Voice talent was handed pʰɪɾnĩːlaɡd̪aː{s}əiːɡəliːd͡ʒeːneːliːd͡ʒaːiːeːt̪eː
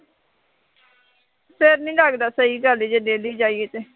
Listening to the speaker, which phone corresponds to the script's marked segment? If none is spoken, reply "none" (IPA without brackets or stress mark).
s